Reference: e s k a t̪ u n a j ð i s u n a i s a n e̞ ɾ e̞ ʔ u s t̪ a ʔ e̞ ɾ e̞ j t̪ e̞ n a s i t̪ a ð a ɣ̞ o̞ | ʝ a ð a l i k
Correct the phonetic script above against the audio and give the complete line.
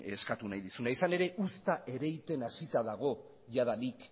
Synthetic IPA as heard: e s k a t̪ u n a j ð i s u n a i s a n e̞ ɾ e̞ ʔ u s t̪ a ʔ e̞ ɾ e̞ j t̪ e̞ n a s i t̪ a ð a ɣ̞ o̞ | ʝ a ð a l i k